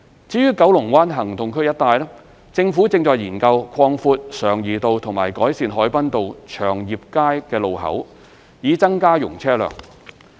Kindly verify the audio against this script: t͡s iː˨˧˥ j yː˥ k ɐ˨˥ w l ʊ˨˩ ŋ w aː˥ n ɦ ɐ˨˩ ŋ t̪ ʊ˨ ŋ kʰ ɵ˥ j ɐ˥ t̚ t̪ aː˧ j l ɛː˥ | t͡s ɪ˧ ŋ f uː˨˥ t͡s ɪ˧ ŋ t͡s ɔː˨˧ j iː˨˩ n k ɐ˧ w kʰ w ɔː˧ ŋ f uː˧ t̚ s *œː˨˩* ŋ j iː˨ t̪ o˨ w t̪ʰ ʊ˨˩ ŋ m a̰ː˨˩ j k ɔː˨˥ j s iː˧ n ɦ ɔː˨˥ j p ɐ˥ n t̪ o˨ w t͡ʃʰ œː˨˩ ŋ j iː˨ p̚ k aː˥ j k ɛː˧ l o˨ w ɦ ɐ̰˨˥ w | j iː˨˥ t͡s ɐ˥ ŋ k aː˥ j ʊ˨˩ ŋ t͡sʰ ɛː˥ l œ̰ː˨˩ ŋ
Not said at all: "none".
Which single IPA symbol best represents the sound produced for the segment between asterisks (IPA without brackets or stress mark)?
œː˨˩